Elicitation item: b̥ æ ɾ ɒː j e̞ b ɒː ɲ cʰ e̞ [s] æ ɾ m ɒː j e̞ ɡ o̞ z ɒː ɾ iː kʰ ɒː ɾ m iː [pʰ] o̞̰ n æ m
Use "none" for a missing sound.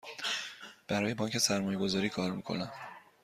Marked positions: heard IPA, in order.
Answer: s, kʰ

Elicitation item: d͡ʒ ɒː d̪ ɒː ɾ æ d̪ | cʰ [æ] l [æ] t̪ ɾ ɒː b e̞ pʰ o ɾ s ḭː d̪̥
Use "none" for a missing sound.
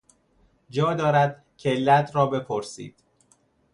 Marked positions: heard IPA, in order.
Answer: e, æ

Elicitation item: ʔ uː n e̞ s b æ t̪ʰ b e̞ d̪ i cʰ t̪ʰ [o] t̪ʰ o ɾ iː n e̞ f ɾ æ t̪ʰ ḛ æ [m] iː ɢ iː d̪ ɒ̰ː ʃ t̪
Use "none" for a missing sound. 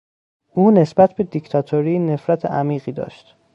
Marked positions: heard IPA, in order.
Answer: ɒ, m

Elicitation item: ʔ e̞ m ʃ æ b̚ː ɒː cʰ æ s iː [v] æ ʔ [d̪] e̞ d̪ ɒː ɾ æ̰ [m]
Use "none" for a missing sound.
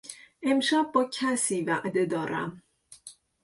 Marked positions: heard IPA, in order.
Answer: v, d̪, m

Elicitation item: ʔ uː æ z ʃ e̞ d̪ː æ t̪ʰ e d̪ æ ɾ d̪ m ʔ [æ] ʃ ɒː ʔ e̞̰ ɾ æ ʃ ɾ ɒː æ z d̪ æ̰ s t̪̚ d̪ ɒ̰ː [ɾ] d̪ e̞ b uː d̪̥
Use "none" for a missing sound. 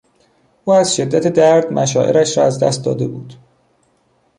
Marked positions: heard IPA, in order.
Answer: æ, none

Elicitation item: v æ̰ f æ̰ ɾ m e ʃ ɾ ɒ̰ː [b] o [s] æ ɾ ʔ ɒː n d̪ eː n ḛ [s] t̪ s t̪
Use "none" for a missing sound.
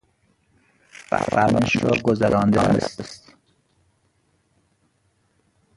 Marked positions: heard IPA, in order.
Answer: ɡ, z, s

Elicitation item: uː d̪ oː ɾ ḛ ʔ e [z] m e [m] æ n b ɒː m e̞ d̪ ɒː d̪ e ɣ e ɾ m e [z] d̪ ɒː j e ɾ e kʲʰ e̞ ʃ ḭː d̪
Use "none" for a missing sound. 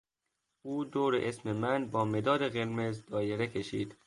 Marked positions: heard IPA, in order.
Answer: s, m, z

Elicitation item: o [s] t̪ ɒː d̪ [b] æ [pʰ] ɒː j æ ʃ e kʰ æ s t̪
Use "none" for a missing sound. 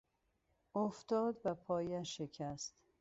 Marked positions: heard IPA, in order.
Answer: f, b, pʰ

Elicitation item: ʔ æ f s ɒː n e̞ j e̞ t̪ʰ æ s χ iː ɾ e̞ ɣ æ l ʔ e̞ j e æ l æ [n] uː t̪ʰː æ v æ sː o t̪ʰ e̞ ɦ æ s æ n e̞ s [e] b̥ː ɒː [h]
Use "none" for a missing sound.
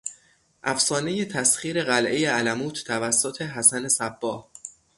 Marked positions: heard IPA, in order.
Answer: m, æ, h

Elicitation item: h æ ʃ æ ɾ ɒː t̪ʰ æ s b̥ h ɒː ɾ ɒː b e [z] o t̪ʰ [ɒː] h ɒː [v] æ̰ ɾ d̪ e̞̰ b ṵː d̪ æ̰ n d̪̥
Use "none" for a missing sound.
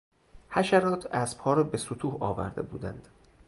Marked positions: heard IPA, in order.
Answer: s, uː, v

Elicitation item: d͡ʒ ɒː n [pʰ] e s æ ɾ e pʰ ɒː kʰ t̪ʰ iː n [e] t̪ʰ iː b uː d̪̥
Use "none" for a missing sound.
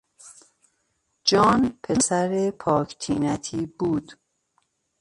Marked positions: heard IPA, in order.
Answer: pʰ, æ

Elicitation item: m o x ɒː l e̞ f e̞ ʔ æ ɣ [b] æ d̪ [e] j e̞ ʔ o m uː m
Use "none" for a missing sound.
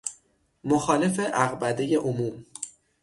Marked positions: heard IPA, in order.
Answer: b, e

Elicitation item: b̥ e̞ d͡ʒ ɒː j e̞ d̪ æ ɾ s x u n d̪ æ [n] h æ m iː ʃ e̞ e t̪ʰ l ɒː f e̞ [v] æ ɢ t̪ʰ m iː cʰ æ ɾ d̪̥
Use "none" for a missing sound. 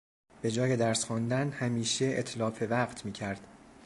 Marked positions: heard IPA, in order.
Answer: n, v

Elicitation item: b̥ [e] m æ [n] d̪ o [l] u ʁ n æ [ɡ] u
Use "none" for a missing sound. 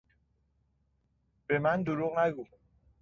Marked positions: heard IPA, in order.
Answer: e, n, ɾ, ɡ

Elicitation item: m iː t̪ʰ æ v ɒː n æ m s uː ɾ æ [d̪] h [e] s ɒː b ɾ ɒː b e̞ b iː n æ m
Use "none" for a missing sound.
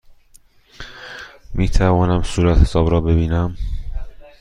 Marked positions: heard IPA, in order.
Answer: t̪, e

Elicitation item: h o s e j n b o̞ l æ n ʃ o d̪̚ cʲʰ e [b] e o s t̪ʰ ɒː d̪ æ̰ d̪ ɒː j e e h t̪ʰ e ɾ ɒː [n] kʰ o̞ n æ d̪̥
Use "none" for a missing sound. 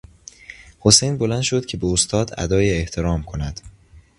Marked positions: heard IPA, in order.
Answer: b, m

